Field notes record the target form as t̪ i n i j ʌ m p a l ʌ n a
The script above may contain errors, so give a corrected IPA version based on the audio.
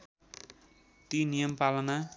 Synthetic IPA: t̪ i n i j ʌ m p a l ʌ n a